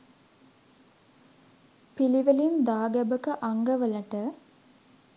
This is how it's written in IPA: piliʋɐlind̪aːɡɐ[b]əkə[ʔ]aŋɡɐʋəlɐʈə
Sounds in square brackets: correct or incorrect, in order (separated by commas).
correct, correct